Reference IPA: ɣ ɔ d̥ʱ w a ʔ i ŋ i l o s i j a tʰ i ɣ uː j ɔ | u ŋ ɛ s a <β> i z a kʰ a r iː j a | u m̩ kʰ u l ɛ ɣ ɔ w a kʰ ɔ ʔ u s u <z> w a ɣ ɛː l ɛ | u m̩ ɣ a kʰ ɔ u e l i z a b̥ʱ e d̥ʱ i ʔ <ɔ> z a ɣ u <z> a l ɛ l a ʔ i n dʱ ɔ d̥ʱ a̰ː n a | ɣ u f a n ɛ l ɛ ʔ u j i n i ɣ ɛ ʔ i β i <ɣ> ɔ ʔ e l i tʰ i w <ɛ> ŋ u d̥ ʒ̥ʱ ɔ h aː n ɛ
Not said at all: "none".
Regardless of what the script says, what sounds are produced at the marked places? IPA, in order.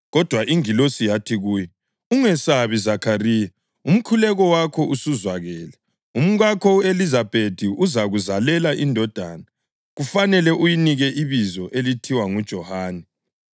β, z, u, z, z, a

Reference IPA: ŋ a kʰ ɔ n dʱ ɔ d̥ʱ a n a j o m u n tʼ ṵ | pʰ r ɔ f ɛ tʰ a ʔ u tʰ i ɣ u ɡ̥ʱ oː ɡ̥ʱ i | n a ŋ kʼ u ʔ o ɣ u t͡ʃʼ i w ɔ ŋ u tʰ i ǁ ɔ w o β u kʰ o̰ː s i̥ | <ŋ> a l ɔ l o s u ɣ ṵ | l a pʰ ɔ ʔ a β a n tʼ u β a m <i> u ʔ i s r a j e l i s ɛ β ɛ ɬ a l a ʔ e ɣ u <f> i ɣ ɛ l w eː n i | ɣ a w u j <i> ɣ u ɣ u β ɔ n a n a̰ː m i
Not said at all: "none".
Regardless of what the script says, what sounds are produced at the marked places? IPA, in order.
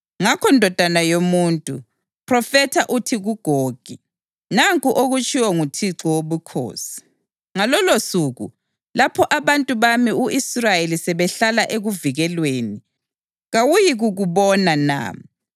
ŋ, i, v, i

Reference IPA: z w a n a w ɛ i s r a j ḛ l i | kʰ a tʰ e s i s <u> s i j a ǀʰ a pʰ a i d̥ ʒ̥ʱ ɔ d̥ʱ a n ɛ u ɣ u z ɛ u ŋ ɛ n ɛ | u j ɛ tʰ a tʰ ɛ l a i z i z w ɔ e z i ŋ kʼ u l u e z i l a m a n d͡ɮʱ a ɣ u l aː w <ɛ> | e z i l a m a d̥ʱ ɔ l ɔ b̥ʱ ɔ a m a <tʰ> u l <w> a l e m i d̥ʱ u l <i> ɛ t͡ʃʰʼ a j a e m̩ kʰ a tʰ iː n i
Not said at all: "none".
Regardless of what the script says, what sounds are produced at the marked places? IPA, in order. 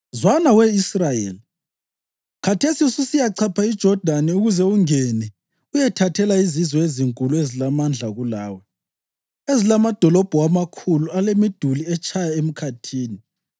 u, ɛ, kʰ, u, i

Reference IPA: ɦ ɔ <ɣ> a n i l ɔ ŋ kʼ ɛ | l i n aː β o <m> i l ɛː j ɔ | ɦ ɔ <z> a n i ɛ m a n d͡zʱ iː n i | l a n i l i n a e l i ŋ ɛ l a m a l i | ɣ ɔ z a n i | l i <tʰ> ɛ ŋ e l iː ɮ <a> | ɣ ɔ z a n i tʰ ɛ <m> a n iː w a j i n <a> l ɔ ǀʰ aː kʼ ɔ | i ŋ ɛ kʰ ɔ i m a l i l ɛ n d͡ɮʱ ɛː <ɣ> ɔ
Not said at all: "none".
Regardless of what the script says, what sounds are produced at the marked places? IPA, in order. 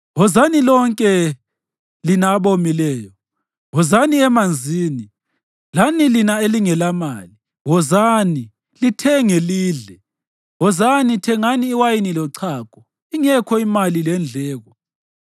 z, m, z, tʰ, ɛ, ŋ, i, ɣ

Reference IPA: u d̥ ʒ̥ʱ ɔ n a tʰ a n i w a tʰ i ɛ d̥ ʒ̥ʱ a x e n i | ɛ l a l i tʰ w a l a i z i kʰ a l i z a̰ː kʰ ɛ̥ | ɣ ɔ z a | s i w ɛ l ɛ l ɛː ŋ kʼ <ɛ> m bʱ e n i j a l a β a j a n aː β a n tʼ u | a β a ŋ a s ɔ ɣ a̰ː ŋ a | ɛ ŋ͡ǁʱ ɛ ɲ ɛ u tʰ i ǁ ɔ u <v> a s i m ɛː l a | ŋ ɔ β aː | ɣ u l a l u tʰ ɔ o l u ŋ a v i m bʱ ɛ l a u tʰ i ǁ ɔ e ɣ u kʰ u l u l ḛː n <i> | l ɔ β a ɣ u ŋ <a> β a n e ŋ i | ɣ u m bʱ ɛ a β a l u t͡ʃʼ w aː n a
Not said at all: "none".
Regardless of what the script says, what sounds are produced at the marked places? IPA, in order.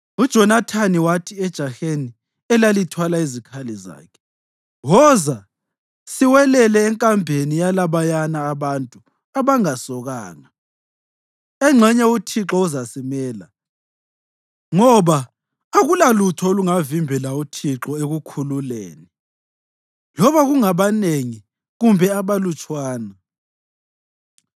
a, z, i, a

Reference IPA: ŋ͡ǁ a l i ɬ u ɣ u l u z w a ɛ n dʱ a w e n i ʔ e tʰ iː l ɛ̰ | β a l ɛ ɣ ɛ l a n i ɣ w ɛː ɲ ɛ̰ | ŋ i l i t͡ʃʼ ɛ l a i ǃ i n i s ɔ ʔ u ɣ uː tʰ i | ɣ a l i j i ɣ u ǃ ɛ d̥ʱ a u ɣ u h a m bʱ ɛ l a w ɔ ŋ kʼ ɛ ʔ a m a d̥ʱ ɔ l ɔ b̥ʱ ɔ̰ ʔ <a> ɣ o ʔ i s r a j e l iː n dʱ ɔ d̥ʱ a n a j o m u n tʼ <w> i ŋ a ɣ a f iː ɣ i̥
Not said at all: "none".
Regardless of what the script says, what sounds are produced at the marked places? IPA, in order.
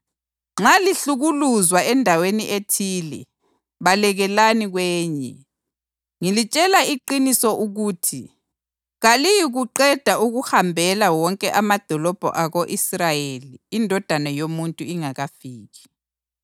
a, u

